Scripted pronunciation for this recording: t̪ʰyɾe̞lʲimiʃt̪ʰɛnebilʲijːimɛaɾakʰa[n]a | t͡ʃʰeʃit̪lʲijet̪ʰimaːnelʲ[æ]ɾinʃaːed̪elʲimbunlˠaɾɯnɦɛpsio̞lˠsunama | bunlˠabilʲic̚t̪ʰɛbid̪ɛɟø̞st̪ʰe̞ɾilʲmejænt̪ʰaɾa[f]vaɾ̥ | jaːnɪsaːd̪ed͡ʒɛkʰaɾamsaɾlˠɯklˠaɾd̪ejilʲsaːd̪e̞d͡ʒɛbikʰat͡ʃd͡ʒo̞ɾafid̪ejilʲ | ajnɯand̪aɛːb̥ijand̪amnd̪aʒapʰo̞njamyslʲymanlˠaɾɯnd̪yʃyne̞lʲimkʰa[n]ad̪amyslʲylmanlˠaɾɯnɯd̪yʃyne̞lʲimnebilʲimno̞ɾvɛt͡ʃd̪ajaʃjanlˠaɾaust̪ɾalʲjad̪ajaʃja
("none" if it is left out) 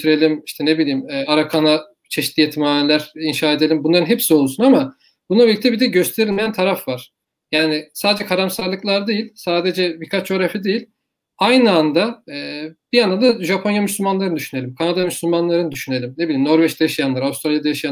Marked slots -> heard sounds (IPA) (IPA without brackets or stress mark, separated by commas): n, æ, f, n